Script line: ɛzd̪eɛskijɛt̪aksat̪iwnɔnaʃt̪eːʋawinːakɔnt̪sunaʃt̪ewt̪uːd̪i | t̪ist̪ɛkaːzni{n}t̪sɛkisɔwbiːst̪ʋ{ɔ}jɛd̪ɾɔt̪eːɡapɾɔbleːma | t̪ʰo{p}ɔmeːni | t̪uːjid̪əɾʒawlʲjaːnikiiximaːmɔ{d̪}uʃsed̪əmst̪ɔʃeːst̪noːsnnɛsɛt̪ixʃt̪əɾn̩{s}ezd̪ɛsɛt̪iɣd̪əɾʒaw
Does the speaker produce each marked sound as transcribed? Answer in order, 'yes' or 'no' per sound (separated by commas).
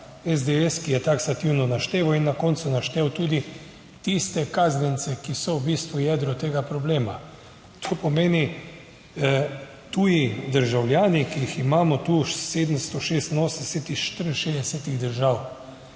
yes, no, yes, no, no